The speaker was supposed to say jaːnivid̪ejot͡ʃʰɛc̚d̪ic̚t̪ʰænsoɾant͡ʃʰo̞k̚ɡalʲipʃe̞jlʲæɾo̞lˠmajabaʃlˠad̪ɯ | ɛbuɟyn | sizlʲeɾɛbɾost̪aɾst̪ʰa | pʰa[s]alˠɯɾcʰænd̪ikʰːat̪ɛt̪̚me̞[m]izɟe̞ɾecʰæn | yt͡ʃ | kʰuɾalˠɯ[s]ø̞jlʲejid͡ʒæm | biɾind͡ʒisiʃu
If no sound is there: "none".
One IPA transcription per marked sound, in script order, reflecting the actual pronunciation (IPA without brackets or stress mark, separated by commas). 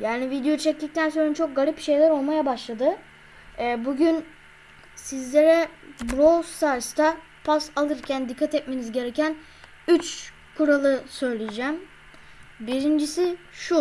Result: s, n, s